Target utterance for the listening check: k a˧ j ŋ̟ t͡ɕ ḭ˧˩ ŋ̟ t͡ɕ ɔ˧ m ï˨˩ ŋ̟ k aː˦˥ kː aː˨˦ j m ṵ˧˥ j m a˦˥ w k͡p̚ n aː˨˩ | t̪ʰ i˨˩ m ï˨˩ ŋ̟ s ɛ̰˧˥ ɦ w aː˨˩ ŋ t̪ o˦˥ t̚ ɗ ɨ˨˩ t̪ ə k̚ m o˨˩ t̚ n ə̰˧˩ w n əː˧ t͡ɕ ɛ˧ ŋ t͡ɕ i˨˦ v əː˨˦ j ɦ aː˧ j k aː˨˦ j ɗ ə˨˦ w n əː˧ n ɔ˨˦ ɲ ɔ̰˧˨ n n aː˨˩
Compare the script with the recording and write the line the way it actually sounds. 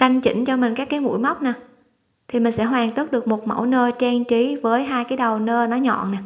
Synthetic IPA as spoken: k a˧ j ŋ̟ t͡ɕ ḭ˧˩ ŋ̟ t͡ɕ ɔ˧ m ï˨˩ ŋ̟ k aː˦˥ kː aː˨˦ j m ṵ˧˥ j m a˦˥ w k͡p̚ n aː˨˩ | t̪ʰ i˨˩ m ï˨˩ ŋ̟ s ɛ̰˧˥ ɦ w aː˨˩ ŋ t̪ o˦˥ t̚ ɗ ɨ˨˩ ə k̚ m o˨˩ t̚ m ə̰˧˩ w n əː˧ t͡ɕ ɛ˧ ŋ t͡ɕ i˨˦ v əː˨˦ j ɦ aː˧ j k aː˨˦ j ɗ ə˨˩ w n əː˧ n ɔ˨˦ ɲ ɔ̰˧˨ n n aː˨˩

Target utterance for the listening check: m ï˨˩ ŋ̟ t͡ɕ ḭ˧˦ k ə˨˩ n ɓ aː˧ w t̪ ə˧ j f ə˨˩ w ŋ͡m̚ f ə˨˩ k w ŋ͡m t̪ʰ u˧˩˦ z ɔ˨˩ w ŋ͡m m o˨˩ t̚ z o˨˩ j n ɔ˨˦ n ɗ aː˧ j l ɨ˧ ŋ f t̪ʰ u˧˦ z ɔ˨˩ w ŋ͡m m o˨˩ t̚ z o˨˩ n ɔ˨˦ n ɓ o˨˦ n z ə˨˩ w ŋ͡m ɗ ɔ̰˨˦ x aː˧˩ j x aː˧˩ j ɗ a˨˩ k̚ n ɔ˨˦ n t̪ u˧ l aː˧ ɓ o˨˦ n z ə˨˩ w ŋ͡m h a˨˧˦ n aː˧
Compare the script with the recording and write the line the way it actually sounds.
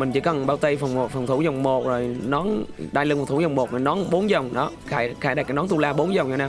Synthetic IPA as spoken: m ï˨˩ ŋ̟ t͡ɕ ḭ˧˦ k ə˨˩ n ɓ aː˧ w t̪ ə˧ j f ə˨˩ w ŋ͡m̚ f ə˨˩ w ŋ͡m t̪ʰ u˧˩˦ z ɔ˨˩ w ŋ͡m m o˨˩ t̚ z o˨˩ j n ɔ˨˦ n ɗ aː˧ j l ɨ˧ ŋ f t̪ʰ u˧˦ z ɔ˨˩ w ŋ͡m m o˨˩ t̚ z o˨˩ n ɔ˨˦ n ɓ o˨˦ n z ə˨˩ w ŋ͡m ɗ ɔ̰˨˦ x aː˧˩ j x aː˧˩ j ɗ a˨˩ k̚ n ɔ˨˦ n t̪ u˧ l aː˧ ɓ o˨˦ n z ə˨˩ w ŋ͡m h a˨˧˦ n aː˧

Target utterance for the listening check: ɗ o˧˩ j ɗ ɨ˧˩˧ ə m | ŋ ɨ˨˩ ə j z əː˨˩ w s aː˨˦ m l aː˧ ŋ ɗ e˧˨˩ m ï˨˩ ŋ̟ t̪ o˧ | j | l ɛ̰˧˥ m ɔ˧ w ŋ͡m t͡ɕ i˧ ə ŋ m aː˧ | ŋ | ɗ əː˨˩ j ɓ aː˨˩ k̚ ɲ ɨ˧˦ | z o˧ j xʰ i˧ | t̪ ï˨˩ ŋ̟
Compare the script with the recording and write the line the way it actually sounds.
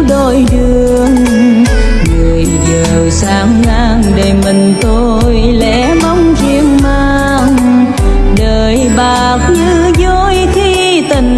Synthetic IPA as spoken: ɗ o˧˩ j ɗ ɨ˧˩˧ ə ŋ | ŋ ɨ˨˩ ə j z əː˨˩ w s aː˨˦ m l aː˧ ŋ ɗ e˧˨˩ m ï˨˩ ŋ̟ t̪ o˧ | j | l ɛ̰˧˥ m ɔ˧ w ŋ͡m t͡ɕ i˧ ə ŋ m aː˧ | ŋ | ɗ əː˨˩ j ɓ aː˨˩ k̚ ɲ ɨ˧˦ | z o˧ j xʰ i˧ | t̪ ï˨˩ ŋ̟

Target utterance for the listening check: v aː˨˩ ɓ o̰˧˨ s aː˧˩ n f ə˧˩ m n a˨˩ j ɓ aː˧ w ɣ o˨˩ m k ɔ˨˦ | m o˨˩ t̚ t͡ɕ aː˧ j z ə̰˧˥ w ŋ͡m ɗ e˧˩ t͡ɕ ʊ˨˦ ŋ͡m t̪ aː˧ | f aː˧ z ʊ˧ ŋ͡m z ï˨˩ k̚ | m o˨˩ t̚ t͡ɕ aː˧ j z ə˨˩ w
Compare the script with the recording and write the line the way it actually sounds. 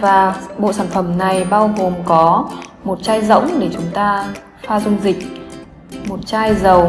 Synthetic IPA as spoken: v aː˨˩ ɓ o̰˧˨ s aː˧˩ n f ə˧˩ m n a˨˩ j ɓ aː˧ w ɣ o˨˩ m k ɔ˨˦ | m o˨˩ t̚ t͡ɕ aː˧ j z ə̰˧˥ w ŋ͡m ɗ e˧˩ t͡ɕ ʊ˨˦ ŋ͡m t̪ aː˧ | f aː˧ z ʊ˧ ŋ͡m z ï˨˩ k̚ | m o˨˩ t̚ t͡ɕ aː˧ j z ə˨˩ w

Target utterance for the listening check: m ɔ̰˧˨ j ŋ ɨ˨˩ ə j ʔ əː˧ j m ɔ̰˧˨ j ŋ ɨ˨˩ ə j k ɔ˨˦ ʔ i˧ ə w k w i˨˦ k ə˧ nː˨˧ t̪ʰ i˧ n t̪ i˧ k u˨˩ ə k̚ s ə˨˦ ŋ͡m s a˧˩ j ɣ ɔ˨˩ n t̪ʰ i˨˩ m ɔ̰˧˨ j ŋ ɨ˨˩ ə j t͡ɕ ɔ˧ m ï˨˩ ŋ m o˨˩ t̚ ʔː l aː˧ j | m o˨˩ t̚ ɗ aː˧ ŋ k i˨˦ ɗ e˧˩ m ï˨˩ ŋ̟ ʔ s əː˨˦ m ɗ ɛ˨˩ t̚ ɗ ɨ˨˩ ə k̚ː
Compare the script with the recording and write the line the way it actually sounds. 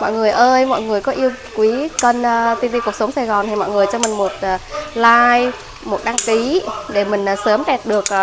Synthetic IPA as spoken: m ɔ̰˧˨ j ŋ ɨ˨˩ ə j ʔ əː˧ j m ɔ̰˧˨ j ŋ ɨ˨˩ ə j k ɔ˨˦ ʔ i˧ ə w k w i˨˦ k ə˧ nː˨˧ t̪ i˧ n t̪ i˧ k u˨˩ ə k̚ s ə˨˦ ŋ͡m s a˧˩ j ɣ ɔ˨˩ n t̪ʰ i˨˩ m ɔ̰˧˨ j ŋ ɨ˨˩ ə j t͡ɕ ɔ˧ m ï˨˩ ŋ m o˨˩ t̚ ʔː l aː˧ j | m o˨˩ t̚ ɗ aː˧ ŋ k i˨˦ ɗ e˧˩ m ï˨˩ ŋ̟ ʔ s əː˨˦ m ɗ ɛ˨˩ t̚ ɗ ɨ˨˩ ə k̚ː

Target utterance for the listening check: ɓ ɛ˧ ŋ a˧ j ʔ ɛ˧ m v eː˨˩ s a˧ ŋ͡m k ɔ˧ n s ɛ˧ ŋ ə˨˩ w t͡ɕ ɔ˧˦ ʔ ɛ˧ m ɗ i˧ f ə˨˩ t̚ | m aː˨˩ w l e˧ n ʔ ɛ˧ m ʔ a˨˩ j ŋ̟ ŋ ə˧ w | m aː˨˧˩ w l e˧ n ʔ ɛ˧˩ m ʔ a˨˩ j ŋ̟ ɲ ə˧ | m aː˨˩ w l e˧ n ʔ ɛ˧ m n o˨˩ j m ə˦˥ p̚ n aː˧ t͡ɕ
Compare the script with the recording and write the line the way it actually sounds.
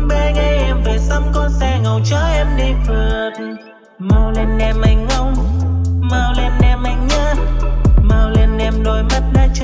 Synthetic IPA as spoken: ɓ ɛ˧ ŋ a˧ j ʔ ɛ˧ m v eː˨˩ s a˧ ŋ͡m k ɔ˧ n s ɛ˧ ŋ ə˨˩ w t͡ɕ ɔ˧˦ ʔ ɛ˧ m ɗ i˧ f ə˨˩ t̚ | m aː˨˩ w l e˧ n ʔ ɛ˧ m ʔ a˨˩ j ŋ̟ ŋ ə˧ w | m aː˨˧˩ w l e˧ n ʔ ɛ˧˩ m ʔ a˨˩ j ŋ̟ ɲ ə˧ | m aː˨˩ w l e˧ n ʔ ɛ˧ m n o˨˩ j m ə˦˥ t̚ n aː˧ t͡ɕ

